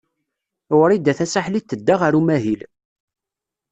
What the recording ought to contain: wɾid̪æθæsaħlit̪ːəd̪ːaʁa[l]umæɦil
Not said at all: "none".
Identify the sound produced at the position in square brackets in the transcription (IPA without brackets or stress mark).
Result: ɾ